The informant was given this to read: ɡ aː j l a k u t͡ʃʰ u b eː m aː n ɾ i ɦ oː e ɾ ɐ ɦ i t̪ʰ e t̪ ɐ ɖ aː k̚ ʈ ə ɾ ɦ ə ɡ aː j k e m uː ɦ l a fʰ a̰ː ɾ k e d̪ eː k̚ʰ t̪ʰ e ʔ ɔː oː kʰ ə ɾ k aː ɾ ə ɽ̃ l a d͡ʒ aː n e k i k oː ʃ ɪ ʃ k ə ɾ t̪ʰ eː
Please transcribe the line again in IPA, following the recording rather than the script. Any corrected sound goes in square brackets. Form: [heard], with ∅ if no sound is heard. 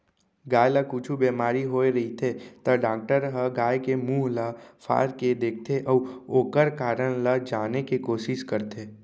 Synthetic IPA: ɡ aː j l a k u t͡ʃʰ u b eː m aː [∅] ɾ i ɦ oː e ɾ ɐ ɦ i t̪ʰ e t̪ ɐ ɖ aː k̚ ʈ ə ɾ ɦ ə ɡ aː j k e m uː ɦ l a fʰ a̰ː ɾ k e d̪ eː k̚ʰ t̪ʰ e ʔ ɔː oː [k] ə ɾ k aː ɾ ə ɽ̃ l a d͡ʒ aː n e k i k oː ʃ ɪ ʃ k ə ɾ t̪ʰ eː